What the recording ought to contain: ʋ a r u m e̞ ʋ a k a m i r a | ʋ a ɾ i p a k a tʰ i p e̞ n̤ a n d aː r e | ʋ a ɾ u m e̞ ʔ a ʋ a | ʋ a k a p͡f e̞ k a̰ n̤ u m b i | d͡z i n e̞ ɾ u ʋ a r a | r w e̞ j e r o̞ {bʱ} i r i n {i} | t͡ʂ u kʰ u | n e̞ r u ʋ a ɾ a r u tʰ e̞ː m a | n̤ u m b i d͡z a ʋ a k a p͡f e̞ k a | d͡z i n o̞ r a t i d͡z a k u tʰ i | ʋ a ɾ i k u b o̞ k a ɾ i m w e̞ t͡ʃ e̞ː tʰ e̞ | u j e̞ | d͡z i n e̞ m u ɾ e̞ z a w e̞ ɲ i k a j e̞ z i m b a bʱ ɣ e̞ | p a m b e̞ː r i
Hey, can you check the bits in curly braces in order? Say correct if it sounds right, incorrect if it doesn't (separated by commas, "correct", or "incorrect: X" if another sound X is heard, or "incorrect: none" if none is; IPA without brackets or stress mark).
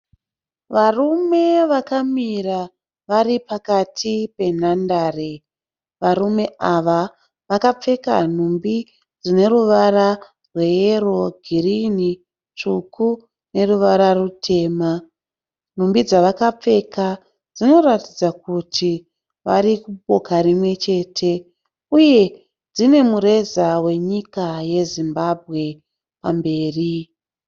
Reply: incorrect: ɡʱ, correct